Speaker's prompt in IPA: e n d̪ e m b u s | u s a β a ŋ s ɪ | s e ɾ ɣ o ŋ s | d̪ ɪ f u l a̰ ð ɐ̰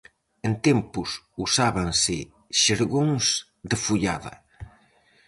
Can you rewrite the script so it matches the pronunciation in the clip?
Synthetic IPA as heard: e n t̪ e m p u s | u s a β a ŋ s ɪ | ʃ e ɾ ɣ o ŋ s | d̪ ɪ f u ʎ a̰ ð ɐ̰